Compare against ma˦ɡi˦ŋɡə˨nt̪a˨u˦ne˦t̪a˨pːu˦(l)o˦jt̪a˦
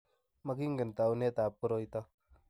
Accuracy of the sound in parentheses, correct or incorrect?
incorrect